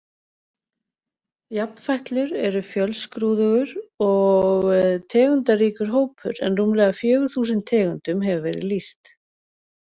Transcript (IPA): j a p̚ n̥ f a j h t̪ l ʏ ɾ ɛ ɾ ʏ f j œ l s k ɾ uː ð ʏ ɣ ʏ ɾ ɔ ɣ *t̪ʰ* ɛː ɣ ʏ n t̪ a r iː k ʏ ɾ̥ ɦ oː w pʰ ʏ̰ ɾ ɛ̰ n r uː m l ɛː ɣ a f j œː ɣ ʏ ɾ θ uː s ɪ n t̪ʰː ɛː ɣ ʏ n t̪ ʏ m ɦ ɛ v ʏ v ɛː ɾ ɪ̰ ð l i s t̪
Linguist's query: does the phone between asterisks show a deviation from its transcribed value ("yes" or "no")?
no